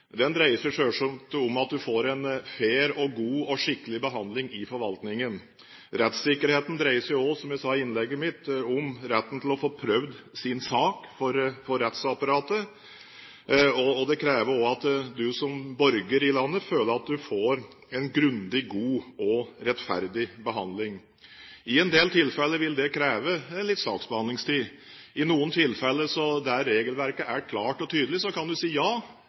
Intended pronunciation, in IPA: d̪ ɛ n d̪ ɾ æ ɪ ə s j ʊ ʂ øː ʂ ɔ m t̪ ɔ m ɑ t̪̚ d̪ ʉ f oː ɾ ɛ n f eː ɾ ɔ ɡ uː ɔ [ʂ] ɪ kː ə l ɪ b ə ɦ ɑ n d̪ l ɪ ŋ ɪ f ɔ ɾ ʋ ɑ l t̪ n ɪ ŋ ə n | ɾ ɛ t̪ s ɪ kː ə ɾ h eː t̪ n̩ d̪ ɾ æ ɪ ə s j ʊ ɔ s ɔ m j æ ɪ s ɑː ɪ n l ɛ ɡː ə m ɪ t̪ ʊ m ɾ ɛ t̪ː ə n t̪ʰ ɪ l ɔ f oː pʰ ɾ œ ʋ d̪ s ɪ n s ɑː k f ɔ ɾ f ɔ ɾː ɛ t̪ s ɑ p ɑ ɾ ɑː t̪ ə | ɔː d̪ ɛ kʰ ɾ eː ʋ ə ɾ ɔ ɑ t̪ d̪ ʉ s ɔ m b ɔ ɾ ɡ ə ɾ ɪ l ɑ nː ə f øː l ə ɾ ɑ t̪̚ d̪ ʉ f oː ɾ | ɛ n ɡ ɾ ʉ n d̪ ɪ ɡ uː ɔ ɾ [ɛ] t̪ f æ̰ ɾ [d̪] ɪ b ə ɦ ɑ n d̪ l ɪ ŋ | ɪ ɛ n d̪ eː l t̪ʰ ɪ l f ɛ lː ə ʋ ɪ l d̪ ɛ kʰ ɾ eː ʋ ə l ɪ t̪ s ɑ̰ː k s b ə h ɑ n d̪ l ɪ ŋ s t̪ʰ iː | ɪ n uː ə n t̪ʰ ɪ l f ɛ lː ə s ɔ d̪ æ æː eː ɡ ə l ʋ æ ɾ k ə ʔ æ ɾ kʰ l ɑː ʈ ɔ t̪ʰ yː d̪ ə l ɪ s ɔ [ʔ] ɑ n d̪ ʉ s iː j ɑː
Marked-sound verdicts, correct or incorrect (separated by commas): correct, correct, correct, incorrect